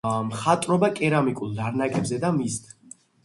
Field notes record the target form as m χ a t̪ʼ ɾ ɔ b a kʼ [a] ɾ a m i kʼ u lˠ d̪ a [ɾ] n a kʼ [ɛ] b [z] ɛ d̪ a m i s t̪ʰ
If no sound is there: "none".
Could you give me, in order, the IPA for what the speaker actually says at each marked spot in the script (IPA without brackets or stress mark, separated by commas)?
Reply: ɛ, ɾ, ɛ, z